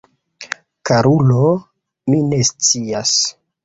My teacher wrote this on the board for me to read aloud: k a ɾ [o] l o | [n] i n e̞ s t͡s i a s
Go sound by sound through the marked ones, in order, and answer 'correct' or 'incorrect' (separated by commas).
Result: incorrect, incorrect